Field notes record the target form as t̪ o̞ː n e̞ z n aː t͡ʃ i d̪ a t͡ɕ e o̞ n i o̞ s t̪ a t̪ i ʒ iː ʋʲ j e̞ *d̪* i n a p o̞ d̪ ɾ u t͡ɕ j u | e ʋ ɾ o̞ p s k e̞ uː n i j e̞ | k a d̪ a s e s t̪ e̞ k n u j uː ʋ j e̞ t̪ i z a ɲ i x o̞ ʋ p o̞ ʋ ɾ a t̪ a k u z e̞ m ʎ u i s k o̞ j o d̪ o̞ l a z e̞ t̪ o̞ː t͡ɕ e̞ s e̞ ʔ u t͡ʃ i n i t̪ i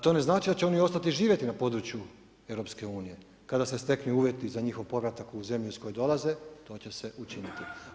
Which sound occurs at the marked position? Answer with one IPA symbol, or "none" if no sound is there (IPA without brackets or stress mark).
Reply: t̪